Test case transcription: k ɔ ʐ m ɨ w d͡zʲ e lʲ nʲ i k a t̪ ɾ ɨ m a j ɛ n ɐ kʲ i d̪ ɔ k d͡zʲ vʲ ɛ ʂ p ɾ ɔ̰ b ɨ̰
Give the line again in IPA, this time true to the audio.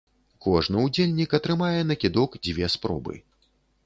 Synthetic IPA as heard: k ɔ ʐ n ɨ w d͡zʲ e lʲ nʲ i k ɐ t̪ ɾ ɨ m a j ɛ n ɐ kʲ i d̪ ɔ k d͡zʲ vʲ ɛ s p ɾ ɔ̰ b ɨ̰